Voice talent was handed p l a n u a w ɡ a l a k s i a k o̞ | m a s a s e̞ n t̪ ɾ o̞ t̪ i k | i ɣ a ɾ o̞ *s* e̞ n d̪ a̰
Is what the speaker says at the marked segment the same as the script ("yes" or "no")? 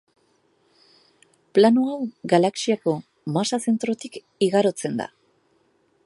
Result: no